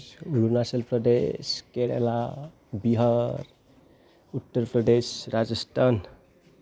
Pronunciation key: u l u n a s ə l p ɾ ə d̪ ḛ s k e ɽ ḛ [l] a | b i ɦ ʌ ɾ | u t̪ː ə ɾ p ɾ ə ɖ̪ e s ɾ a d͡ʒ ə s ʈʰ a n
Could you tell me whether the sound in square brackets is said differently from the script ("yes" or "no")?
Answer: no